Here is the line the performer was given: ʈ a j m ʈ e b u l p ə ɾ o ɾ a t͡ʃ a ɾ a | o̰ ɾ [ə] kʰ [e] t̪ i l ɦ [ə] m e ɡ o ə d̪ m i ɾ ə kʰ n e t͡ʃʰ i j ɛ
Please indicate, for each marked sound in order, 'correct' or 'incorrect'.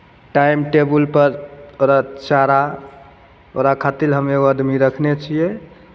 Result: incorrect: a, incorrect: a, correct

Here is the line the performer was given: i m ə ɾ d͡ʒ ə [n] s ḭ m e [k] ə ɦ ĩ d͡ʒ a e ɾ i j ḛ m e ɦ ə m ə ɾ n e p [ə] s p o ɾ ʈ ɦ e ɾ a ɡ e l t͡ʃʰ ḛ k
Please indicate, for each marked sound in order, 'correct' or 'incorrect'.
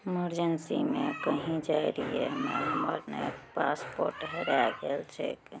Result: correct, correct, incorrect: a

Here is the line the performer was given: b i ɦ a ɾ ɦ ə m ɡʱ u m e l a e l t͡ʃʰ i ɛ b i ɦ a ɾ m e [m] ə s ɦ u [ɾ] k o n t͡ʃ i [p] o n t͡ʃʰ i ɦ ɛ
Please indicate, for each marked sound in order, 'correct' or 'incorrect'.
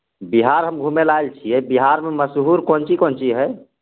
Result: correct, correct, incorrect: k

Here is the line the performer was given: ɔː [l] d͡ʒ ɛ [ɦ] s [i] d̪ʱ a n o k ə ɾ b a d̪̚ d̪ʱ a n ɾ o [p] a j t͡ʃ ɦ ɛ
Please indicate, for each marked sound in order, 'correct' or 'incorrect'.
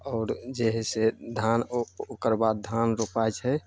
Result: incorrect: ɾ, correct, incorrect: e, correct

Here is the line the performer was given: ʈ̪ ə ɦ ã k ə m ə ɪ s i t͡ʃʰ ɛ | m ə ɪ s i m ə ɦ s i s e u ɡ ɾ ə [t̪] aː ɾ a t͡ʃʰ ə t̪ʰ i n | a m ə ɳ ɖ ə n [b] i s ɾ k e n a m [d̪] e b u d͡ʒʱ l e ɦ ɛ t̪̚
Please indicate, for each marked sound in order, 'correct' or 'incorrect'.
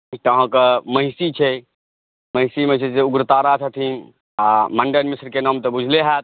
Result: correct, incorrect: m, incorrect: t̪

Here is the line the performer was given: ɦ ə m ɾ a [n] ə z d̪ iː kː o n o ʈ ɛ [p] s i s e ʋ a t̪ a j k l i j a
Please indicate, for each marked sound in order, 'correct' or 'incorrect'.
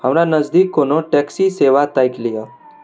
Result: correct, incorrect: k

